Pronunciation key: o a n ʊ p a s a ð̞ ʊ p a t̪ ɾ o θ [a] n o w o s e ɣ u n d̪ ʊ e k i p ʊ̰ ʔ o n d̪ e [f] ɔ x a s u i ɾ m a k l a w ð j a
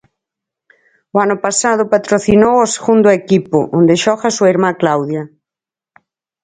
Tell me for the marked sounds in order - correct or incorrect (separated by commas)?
incorrect, incorrect